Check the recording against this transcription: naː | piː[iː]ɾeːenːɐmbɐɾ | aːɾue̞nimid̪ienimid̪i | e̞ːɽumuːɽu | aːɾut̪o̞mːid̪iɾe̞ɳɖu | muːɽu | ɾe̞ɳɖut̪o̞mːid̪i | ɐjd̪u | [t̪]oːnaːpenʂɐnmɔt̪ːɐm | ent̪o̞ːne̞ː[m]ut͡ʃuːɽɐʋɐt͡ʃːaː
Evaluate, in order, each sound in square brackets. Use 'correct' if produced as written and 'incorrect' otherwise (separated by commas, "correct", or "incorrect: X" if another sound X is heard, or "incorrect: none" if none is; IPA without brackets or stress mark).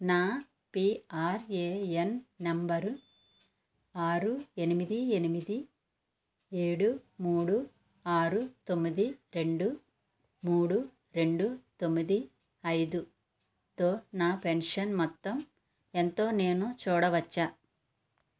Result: incorrect: aː, correct, incorrect: n